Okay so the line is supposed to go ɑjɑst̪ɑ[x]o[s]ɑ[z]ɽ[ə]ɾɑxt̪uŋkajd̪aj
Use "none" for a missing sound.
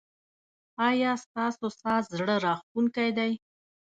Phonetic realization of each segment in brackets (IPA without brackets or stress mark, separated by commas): s, s, z, ə